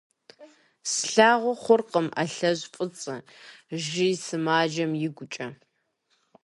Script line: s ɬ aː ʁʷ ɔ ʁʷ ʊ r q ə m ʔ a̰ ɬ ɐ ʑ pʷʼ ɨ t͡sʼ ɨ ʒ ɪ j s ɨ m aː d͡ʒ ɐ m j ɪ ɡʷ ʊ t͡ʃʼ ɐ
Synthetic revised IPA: s ɬ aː ʁʷ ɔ χʷ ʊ r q ə m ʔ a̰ ɬ ɐ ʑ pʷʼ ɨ t͡sʼ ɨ ʒ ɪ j s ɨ m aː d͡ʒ ɐ m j ɪ ɡʷ ʊ t͡ʃʼ ɐ